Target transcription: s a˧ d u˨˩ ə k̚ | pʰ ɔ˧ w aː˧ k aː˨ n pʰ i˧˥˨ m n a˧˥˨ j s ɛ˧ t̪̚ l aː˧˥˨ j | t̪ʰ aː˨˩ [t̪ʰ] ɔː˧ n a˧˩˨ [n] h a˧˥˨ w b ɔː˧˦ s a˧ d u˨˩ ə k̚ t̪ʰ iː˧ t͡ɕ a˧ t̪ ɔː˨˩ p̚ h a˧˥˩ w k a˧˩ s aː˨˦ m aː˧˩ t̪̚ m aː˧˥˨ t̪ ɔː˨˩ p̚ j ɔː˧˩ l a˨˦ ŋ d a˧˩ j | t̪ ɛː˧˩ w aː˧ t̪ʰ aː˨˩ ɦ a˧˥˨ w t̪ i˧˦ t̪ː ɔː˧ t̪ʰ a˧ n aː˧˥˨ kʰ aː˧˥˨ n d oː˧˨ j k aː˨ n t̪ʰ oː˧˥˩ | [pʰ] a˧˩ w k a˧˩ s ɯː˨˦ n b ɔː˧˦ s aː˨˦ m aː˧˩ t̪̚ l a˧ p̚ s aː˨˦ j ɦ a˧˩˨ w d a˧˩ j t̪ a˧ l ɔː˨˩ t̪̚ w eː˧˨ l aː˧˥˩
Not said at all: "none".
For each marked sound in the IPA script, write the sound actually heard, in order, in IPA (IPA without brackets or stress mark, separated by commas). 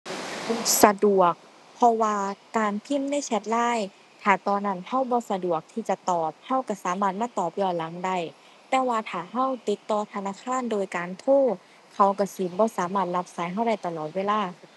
t̪, n, kʰ